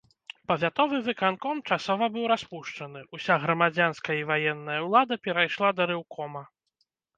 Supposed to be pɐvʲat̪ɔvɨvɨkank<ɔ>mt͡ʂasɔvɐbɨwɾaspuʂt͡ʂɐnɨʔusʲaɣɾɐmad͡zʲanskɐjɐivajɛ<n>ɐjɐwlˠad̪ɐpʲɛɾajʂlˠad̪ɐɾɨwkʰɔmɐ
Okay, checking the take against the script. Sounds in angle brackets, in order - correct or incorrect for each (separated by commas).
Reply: correct, incorrect